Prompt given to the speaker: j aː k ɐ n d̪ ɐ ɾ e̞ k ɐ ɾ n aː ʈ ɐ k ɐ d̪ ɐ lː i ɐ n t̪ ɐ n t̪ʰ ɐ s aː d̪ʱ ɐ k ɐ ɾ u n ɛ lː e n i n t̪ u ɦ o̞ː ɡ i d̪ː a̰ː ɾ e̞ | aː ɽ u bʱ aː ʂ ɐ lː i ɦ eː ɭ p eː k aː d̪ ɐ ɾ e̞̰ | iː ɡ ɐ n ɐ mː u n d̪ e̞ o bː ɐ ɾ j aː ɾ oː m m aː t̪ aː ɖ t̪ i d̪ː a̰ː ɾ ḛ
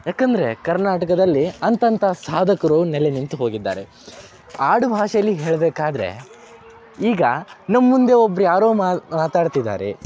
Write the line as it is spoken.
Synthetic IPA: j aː k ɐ n d̪ ɐ ɾ e̞ k ɐ ɾ n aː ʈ ɐ k ɐ d̪ ɐ lː i ɐ n t̪ ɐ n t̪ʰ ɐ s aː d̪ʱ ɐ k ɐ ɾ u n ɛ l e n i n t̪ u ɦ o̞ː ɡ i d̪ː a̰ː ɾ e̞ | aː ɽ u bʱ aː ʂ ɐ lː i ɦ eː ɭ b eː k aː d̪ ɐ ɾ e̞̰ | iː ɡ ɐ n ɐ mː u n d̪ e̞ o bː ɐ ɾ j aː ɾ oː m m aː t̪ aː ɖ t̪ i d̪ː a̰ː ɾ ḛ